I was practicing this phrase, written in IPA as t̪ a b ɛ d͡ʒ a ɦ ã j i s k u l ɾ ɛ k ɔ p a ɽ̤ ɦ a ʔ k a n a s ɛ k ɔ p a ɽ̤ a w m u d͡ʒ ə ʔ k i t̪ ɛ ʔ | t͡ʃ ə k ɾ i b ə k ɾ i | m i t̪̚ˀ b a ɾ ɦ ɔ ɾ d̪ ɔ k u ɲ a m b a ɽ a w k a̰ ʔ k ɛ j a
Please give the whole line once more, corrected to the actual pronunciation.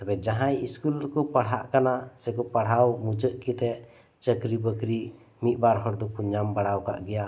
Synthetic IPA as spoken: t̪ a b ɛ d͡ʒ a ɦ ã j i s k u l ɾ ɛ k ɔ p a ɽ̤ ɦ a ʔ k a n a s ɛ k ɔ p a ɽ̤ a w m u d͡ʒ ə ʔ k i t̪ ɛ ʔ | t͡ʃ ə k ɾ i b ə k ɾ i | m i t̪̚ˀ b a ɾ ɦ ɔ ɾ d̪ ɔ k u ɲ a m b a ɽ a w k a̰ ʔ ɡ ɛ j a